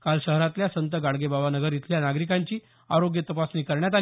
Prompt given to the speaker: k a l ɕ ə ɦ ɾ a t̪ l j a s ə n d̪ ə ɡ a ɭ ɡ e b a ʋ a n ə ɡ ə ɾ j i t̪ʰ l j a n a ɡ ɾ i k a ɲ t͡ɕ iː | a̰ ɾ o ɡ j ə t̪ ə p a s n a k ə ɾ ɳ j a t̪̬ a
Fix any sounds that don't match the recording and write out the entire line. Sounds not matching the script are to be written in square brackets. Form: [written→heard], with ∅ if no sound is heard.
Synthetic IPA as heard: k a l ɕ ə ɦ ɾ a t̪ l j a s ə n [d̪→t̪] ə ɡ a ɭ ɡ e b a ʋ a n ə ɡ ə ɾ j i t̪ʰ l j a n a ɡ ɾ i k a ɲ t͡ɕ iː | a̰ ɾ o ɡ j ə t̪ ə p a s n [a→i] k ə ɾ ɳ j a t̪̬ a